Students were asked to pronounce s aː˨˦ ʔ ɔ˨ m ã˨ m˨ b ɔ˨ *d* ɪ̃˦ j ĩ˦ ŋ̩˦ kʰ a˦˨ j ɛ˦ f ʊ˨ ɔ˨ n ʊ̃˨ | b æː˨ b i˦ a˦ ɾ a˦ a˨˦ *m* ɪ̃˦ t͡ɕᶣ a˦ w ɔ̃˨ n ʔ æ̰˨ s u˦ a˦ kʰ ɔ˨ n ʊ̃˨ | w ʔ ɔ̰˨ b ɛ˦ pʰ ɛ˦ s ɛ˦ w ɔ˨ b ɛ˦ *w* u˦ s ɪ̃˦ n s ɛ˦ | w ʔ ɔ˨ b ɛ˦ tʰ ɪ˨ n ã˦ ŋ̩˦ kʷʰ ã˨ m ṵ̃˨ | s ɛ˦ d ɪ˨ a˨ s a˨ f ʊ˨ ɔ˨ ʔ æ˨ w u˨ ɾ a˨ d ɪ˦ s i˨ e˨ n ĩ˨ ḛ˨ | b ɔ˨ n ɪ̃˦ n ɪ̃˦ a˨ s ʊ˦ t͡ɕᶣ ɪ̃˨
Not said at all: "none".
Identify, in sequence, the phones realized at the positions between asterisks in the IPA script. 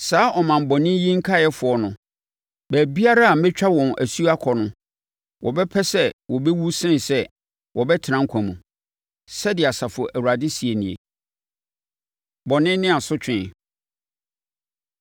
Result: n, m, w

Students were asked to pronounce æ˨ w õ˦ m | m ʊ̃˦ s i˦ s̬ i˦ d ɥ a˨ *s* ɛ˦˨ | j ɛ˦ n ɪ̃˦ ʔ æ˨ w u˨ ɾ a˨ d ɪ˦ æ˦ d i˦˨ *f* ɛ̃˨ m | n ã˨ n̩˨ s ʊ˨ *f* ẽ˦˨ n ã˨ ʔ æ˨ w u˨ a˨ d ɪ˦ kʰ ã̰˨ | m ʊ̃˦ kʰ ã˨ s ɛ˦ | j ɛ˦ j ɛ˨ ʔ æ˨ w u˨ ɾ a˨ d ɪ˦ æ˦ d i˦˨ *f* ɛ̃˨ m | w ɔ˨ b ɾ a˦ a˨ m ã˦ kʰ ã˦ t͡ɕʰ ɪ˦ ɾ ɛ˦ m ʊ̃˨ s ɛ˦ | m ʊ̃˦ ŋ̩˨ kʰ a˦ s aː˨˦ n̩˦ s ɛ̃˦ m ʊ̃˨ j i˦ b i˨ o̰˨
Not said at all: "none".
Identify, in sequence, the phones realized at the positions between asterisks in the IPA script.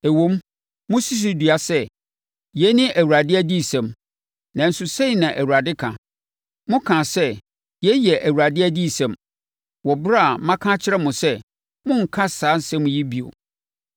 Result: s, s, s, s

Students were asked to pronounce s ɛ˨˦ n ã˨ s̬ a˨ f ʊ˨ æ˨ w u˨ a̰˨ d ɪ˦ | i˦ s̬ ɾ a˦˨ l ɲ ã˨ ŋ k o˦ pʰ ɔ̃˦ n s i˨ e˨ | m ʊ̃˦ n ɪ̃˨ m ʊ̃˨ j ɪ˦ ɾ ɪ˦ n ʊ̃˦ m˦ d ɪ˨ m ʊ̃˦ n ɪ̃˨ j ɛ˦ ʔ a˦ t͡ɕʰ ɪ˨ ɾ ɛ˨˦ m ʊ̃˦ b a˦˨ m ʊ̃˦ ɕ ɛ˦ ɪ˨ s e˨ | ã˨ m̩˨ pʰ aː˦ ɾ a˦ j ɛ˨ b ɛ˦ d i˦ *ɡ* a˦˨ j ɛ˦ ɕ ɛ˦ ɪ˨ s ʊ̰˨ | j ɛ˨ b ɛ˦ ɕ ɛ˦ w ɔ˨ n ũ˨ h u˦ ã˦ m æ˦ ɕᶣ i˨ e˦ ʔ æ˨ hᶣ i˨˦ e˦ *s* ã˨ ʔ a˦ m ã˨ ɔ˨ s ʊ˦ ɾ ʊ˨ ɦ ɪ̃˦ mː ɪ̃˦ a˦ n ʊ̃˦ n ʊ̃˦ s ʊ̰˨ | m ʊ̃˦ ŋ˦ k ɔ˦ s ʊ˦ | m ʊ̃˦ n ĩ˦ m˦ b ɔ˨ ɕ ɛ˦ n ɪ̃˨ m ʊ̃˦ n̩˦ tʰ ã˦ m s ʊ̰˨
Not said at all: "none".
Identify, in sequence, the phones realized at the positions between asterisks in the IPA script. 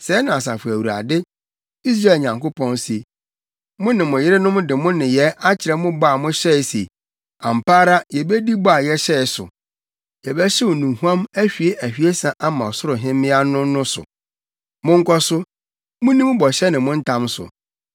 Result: b, s

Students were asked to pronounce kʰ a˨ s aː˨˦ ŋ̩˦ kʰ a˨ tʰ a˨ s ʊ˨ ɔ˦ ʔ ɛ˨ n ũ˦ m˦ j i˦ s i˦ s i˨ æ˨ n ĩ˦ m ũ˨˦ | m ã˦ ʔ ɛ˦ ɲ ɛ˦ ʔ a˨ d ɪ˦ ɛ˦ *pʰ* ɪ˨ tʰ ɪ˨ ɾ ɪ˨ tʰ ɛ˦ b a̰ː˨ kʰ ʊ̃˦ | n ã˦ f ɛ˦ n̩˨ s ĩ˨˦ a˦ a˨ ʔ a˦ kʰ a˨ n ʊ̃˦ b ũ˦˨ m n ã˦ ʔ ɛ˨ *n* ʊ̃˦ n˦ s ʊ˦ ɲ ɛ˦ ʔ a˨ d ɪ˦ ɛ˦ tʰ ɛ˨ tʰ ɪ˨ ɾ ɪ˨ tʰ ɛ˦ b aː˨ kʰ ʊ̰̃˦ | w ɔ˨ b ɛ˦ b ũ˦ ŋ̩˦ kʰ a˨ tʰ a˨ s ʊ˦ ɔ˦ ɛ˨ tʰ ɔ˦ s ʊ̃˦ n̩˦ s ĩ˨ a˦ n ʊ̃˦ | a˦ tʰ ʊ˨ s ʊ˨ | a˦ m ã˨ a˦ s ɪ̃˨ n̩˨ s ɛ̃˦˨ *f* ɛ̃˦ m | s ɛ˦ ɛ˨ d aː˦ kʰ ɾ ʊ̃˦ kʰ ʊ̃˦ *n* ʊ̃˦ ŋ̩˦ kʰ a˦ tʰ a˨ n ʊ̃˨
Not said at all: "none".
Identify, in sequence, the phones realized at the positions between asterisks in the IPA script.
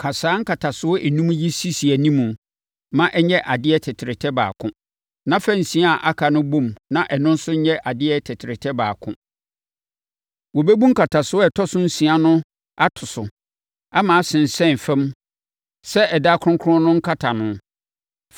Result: tʰ, n, f, n

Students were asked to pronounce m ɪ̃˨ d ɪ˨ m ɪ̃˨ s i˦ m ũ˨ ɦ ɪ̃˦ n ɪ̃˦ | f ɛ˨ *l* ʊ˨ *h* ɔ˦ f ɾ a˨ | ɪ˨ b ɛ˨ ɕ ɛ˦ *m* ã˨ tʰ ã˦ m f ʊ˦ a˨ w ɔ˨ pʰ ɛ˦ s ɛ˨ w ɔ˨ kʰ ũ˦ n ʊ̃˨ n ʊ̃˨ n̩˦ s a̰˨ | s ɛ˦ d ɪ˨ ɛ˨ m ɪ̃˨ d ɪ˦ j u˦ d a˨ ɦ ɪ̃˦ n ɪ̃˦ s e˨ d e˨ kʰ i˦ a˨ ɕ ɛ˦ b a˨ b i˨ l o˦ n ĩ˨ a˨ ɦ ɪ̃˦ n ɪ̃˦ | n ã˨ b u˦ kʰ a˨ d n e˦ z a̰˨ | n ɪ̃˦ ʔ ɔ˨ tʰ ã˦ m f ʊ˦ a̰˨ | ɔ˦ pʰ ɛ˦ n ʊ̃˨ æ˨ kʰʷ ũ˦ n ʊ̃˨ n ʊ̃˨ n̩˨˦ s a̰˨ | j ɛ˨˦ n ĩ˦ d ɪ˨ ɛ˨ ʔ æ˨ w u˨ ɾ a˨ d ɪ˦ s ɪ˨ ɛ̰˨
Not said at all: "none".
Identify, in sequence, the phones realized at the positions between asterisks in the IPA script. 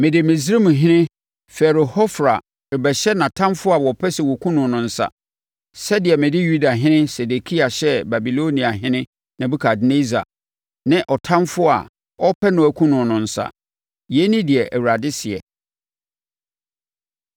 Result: ɾ, h, n

